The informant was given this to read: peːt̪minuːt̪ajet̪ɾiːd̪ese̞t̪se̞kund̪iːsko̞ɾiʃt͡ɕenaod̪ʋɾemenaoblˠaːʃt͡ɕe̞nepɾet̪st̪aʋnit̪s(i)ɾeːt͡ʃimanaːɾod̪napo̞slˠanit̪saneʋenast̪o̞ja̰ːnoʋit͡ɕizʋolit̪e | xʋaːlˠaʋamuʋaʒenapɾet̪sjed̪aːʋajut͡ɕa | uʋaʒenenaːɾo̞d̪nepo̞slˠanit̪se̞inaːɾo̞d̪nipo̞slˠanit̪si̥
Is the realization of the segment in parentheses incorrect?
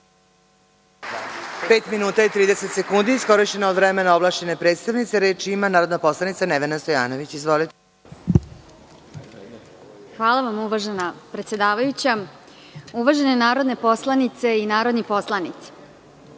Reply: yes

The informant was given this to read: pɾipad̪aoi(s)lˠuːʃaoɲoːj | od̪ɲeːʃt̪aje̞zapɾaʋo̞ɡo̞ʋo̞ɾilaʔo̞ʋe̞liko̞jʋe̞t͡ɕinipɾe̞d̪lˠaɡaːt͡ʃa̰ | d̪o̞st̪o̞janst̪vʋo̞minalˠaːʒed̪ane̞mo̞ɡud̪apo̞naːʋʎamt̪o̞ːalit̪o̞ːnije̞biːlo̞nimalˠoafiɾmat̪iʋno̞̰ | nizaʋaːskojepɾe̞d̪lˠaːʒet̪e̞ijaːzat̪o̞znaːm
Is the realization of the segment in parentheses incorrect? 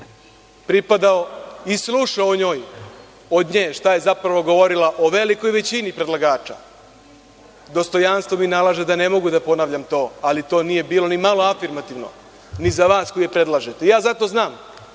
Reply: no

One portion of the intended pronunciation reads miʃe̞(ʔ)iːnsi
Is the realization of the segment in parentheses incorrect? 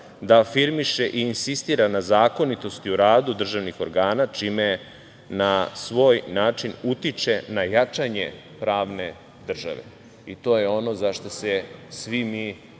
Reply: no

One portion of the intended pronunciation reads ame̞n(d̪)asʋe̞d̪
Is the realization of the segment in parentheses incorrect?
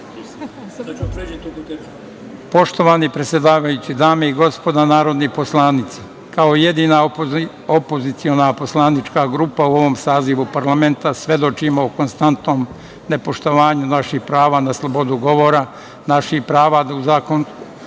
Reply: yes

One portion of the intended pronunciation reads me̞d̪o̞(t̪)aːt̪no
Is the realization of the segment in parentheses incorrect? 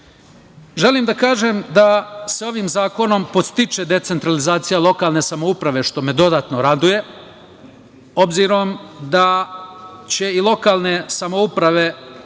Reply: yes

